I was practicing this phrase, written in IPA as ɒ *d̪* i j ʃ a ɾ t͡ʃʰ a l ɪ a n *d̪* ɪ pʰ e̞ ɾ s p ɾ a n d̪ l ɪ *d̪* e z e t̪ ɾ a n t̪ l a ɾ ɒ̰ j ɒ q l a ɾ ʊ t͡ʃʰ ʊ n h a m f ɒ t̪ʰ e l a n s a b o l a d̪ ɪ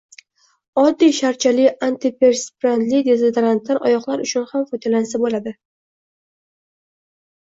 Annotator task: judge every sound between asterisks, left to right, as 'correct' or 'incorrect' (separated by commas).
incorrect, incorrect, correct